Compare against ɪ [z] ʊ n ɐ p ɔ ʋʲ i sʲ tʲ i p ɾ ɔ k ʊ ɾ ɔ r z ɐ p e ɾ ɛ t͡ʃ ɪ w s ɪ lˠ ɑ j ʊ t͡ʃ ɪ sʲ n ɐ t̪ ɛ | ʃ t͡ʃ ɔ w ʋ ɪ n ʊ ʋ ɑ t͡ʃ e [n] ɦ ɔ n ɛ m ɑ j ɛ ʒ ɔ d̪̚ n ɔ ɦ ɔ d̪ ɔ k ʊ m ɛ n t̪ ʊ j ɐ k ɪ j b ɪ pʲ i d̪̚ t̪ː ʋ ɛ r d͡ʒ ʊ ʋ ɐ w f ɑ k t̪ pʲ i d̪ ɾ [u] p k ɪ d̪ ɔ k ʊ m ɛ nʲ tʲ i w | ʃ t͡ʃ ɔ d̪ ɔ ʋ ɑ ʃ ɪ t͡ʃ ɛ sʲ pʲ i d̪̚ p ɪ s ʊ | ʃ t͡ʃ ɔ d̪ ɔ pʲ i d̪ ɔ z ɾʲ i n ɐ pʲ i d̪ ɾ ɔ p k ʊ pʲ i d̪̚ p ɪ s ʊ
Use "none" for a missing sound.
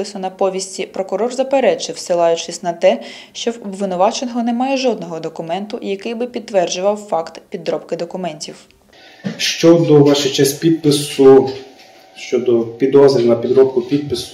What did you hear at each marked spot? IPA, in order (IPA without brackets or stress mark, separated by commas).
s, n, ɔ